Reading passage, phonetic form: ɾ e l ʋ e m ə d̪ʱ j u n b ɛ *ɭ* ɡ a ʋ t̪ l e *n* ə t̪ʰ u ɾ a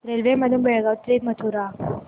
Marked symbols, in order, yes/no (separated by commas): yes, no